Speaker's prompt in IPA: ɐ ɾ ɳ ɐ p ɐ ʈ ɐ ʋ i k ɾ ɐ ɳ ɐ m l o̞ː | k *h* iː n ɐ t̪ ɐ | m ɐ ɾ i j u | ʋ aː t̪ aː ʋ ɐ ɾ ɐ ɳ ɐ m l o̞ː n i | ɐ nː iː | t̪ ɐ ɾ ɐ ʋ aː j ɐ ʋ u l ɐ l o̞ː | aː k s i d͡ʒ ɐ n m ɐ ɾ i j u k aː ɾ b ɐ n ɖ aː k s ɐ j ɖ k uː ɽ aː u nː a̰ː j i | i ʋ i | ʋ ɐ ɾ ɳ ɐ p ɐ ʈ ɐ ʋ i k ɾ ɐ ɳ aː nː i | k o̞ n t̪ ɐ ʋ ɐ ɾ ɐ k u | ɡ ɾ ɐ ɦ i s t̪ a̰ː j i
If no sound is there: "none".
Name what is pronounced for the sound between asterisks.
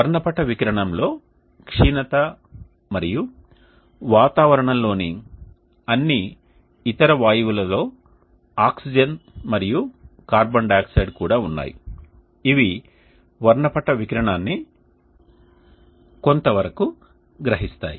ʂ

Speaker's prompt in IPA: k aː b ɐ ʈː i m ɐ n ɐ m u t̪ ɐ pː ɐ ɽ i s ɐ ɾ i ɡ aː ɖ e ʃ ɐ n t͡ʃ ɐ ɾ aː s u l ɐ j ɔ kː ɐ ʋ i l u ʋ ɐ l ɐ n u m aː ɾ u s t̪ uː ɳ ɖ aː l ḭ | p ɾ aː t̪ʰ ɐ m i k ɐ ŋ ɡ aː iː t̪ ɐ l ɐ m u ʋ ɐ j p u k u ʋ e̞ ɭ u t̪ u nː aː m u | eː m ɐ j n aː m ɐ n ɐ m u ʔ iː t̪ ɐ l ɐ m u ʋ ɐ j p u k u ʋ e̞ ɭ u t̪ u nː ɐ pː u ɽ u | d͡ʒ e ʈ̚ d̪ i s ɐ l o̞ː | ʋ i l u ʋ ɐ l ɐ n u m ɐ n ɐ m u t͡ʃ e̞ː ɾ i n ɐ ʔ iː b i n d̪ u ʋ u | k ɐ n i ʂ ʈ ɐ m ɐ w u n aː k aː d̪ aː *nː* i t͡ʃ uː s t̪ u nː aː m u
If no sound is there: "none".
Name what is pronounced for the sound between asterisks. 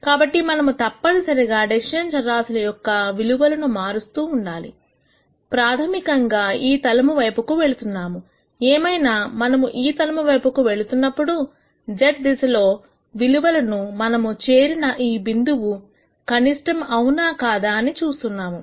n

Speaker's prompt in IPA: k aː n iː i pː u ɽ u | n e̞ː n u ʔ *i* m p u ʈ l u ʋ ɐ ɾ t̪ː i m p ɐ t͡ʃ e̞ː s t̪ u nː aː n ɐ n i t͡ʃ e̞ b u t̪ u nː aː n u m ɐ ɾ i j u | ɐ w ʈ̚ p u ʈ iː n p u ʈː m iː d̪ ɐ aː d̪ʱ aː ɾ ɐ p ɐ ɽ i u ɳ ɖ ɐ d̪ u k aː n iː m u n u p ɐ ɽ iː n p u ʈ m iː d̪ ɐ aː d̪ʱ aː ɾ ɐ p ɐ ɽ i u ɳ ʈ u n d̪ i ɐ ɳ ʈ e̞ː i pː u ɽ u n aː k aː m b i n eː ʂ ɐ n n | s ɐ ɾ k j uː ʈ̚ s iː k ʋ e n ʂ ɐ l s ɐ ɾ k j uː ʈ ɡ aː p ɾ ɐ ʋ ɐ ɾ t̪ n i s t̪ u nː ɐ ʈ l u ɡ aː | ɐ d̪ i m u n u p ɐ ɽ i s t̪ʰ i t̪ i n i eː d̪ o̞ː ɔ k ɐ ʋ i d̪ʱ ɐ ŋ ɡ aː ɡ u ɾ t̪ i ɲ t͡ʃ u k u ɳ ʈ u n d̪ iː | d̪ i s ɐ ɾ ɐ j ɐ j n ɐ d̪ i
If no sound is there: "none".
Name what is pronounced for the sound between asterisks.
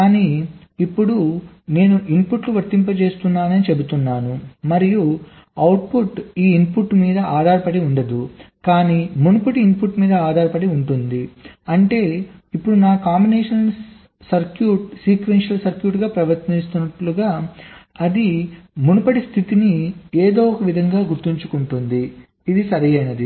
i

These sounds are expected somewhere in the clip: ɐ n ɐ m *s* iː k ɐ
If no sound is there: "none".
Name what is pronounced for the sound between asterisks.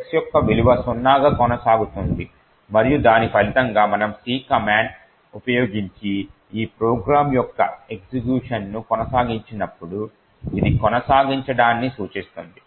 s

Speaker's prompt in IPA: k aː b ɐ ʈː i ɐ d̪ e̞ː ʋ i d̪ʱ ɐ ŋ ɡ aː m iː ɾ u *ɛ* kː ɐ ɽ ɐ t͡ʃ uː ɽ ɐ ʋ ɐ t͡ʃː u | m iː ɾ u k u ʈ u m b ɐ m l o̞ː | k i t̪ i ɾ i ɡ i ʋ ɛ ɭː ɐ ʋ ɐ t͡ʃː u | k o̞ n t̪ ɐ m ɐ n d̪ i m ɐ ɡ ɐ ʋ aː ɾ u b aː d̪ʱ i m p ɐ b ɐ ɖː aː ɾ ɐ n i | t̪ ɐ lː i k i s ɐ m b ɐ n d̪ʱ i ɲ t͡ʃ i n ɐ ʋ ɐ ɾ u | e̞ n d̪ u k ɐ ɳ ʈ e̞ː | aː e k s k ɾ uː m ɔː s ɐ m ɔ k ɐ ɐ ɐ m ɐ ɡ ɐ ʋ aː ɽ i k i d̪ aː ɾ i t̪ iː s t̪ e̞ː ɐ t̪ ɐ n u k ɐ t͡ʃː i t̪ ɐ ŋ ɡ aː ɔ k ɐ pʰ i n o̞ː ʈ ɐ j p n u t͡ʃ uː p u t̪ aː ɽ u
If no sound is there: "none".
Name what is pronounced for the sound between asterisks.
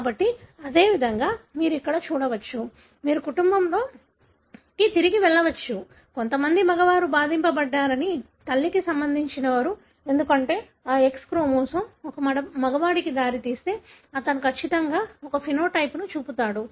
i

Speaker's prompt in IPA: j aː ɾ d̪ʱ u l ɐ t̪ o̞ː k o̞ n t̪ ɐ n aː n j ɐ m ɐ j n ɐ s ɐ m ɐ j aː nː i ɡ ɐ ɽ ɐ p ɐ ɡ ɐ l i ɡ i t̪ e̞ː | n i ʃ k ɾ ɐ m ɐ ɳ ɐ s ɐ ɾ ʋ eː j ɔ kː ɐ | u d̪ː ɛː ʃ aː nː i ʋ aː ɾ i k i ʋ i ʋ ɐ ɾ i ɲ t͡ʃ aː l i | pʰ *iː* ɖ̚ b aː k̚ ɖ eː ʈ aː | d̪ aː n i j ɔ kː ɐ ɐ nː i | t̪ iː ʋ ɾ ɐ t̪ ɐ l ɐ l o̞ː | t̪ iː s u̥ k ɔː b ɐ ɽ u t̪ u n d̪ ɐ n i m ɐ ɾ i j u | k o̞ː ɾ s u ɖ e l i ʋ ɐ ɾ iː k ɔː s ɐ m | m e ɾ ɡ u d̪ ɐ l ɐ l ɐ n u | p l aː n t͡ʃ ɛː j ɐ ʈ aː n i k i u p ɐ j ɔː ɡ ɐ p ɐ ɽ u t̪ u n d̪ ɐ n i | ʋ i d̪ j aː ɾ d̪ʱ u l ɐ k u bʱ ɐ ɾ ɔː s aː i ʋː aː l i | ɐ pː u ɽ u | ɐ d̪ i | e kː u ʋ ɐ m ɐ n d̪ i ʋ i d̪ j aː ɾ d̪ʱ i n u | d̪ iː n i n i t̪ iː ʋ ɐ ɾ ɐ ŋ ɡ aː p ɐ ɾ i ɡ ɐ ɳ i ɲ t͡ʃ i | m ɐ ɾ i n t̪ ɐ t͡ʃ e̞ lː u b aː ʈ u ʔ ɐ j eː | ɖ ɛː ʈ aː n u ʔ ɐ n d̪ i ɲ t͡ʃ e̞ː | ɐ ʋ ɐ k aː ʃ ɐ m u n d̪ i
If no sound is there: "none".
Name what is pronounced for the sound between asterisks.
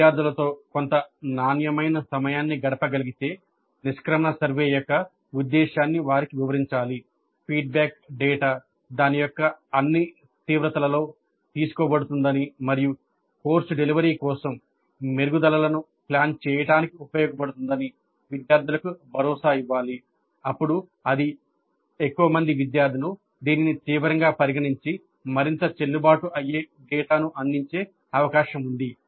iː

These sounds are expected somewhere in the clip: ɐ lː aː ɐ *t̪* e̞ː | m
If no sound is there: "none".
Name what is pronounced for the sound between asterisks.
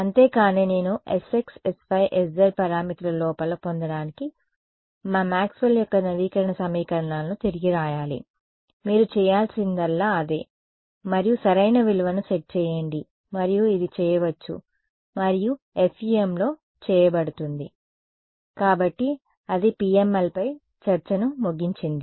d̪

